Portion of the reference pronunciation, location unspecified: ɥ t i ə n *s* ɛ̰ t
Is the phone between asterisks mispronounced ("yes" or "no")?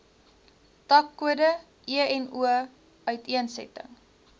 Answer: no